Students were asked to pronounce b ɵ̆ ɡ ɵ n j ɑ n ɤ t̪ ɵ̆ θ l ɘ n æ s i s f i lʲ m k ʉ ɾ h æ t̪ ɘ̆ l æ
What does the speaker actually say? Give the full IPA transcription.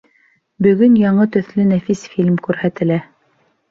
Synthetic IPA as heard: b ɵ̆ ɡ ɵ n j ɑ ɴ ɤ t̪ ɵ̆ θ l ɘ n æ f i s f i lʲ m k ʉ ɾ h æ t̪ ɘ̆ l æ